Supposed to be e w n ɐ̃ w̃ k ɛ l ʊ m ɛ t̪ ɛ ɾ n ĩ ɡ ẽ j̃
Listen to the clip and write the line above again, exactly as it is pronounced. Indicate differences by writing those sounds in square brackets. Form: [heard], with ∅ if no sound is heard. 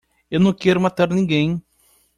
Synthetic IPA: e w n ɐ̃ w̃ k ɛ [ɾ] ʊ m [a] t̪ [a] ɾ n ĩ ɡ ẽ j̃